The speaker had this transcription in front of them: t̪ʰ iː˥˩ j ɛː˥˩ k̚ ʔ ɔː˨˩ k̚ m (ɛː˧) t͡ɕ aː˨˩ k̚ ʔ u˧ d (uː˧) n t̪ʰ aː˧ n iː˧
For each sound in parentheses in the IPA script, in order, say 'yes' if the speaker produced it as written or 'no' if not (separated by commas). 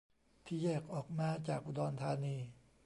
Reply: no, no